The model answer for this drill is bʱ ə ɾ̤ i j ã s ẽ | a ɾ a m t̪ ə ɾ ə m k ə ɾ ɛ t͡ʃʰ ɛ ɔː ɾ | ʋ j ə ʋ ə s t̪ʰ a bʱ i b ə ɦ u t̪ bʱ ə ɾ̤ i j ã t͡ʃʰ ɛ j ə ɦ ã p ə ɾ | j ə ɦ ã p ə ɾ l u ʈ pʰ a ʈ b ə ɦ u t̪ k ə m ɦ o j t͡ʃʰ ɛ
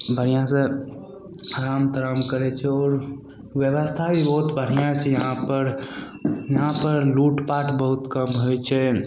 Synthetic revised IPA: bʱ ə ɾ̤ i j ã s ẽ | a ɾ a m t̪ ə ɾ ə m k ə ɾ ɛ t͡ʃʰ ɛ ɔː ɾ | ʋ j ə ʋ ə s t̪ʰ a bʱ i b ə ɦ u t̪ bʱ ə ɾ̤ i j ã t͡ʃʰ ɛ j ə ɦ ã p ə ɾ | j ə ɦ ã p ə ɾ l u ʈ p a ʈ b ə ɦ u t̪ k ə m ɦ o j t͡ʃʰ ɛ